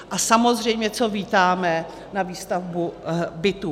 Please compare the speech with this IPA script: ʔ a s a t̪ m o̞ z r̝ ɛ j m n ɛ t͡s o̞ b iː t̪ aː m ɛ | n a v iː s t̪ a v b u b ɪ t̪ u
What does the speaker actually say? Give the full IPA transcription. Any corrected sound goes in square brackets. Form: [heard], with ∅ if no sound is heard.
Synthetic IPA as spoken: ʔ a s a [∅] m o̞ z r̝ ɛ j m [ɲ] ɛ t͡s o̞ [v] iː t̪ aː m ɛ | n a v iː s t̪ a v b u b ɪ t̪ u